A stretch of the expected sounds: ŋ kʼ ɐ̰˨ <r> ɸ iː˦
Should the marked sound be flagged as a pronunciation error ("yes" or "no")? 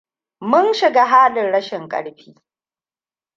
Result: yes